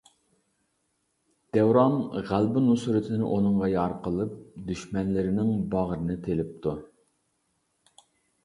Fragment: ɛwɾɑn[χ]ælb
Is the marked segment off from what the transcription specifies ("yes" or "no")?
yes